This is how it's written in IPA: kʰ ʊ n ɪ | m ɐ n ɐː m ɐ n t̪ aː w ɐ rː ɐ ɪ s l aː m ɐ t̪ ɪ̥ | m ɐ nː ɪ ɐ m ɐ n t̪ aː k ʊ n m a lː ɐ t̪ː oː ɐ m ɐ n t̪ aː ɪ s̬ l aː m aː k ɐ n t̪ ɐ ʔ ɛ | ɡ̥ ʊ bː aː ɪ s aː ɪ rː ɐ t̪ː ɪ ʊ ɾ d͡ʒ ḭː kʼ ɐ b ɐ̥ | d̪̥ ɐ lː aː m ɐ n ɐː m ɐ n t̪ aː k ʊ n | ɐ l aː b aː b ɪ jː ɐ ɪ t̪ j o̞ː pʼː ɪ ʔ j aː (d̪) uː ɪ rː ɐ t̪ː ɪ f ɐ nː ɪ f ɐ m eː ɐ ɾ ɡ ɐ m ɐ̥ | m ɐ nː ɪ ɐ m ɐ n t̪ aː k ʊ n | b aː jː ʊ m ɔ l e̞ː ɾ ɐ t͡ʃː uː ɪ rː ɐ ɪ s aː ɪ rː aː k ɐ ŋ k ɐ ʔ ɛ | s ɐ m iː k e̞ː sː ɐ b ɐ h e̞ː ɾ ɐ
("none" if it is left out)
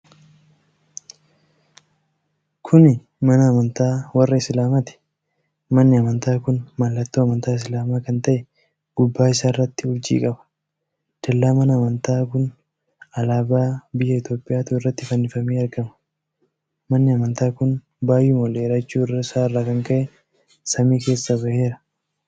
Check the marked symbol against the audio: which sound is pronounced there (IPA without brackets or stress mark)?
t̪